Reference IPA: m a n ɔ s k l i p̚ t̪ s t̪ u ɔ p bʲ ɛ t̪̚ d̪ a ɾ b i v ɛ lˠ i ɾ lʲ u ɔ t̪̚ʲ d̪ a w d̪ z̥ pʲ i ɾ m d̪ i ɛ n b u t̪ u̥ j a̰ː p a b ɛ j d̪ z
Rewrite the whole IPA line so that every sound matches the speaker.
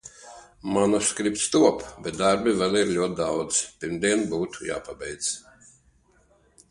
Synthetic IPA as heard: m a n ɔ s k ɾ i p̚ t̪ s t̪ u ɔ p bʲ ɛ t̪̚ d̪ a ɾ b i v ɛ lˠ i ɾ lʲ u ɔ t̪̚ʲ d̪ a w d̪ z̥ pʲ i ɾ m d̪ i ɛ n b uː t̪ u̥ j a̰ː p a b ɛ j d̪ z